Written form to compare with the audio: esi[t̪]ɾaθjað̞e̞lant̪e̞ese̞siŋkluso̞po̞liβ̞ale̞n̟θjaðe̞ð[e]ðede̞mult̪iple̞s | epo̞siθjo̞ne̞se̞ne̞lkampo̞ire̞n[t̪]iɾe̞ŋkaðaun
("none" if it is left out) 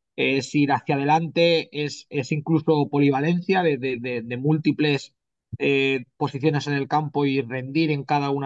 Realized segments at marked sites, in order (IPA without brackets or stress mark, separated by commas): none, e, d̪